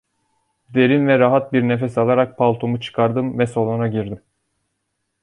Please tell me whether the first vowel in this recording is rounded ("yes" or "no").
no